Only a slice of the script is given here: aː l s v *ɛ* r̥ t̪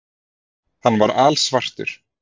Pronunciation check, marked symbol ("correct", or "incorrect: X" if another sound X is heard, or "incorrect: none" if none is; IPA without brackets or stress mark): incorrect: a